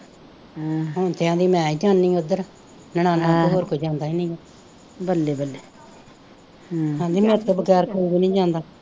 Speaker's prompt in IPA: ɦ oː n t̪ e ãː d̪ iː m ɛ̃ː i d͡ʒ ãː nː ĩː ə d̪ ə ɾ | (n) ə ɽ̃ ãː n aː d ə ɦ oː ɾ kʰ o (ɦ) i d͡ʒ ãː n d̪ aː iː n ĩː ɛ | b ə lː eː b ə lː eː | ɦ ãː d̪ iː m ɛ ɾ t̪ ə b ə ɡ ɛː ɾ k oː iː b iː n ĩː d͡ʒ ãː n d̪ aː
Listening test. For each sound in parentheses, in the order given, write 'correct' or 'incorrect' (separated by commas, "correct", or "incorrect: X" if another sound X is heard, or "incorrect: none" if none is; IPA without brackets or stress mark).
correct, incorrect: none